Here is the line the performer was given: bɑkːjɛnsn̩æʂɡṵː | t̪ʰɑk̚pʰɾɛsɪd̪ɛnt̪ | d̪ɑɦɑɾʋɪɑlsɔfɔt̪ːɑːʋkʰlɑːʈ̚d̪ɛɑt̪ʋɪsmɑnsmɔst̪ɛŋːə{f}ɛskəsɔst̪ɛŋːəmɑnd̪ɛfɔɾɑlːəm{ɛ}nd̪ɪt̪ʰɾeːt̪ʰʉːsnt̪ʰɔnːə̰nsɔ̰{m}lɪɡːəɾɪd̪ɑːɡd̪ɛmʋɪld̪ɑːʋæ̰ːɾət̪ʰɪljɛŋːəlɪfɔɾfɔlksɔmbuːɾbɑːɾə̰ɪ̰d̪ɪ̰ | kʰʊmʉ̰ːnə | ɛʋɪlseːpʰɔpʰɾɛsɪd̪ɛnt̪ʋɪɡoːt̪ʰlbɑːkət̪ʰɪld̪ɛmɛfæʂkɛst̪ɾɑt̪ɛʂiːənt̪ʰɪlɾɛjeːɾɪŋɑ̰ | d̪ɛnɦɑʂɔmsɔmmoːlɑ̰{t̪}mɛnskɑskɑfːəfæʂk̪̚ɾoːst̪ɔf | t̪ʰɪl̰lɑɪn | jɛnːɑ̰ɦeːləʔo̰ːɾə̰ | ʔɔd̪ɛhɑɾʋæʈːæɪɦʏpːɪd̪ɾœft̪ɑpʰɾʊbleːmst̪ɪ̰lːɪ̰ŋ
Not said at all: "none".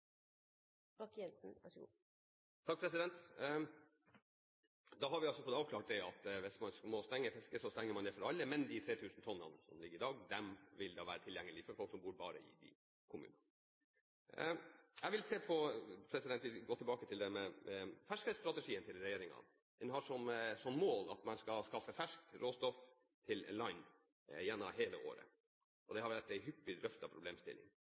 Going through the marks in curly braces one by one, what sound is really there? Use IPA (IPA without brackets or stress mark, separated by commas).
f, ɛ, m, t̪